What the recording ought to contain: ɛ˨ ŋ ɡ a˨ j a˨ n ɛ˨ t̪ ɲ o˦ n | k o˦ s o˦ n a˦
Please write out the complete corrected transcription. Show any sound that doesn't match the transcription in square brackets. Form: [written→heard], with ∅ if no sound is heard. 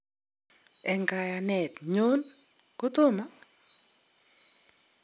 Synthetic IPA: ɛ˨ ŋ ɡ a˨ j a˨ n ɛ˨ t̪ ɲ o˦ n | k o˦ [s→t] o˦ [n→m] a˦